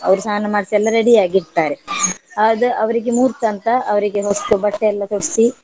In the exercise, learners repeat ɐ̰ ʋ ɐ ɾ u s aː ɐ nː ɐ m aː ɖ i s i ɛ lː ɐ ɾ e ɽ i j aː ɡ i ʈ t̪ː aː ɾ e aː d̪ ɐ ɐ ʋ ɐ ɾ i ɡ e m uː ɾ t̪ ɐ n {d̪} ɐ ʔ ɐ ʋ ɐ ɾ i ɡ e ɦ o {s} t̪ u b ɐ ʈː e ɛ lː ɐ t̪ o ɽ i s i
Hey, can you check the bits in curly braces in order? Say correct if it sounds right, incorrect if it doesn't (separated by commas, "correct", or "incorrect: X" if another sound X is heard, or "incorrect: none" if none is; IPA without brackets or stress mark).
incorrect: t̪, correct